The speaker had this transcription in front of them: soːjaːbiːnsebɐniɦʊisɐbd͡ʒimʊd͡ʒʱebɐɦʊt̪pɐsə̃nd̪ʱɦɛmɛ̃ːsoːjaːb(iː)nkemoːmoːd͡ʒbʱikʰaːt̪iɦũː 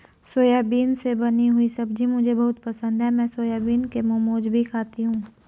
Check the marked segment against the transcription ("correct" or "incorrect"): correct